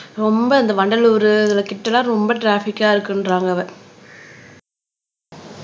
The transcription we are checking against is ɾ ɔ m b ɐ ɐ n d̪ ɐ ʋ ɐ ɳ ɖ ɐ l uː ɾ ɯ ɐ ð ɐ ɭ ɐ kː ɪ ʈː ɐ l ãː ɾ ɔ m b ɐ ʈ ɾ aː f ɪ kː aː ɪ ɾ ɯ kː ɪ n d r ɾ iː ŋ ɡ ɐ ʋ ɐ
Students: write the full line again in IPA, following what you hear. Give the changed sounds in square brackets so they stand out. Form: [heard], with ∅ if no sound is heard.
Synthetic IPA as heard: ɾ ɔ m b ɐ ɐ n d̪ ɐ ʋ ɐ ɳ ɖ ɐ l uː ɾ ɯ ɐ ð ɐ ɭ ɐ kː ɪ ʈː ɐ l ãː ɾ ɔ m b ɐ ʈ ɾ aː f ɪ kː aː ɪ ɾ ɯ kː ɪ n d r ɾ [aː] ŋ ɡ ɐ ʋ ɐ